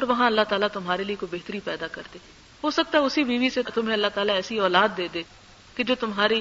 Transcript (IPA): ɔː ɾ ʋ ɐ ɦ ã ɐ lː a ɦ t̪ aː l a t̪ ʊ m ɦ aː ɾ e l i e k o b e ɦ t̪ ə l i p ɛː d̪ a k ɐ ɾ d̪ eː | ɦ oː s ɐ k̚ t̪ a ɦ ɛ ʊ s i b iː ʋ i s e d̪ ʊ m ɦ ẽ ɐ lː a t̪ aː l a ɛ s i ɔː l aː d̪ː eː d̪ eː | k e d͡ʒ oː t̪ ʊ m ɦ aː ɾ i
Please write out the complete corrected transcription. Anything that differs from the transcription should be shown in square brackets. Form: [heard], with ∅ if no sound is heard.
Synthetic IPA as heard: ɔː ɾ ʋ ɐ ɦ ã ɐ lː a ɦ t̪ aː l a t̪ ʊ m ɦ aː ɾ e l i e k o b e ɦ t̪ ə [ɾ] i p ɛː d̪ a k ɐ ɾ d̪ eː | ɦ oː s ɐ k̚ t̪ a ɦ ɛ ʊ s i b iː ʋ i s e [t̪] ʊ m ɦ ẽ ɐ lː a t̪ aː l a [ɛː] s i ɔː l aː d̪ː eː d̪ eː | k e d͡ʒ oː t̪ ʊ m ɦ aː ɾ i